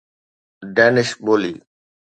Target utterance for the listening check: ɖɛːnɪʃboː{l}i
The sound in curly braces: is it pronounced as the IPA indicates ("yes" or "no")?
yes